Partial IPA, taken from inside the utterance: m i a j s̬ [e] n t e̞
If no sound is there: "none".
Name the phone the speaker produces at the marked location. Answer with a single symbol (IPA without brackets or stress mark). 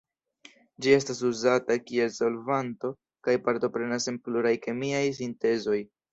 i